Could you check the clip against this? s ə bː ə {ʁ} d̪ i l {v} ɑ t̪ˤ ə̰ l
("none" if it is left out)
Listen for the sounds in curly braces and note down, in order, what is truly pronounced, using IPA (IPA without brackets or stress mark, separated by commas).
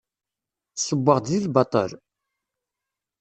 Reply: ʁ, b